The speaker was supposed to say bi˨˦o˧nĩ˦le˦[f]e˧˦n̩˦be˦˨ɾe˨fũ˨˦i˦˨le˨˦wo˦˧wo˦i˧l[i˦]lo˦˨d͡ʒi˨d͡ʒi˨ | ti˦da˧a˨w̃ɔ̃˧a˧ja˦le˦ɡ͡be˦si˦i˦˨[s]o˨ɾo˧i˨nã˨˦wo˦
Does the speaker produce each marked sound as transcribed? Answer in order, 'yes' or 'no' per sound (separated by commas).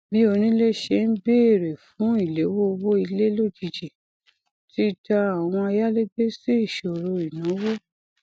no, no, no